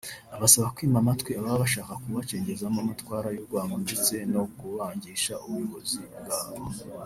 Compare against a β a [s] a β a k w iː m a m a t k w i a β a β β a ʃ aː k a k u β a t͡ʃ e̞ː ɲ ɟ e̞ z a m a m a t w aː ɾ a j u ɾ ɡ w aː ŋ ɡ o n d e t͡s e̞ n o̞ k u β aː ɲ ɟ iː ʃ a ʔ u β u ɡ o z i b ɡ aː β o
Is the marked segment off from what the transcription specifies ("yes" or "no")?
no